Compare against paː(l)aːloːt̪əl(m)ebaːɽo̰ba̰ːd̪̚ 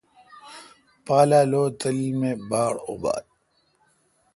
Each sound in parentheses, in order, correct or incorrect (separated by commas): correct, correct